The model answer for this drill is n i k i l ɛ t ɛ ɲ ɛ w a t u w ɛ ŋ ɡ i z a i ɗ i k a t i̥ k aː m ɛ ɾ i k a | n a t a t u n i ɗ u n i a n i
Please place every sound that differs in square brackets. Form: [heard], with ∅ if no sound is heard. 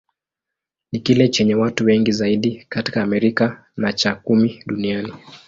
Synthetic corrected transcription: n i k i l ɛ [t͡ʃ] ɛ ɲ ɛ w a t u w ɛ ŋ ɡ i z a i ɗ i k a t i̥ k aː m ɛ ɾ i k a | n a [t͡ʃ] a [k] u [m] i ɗ u n i a n i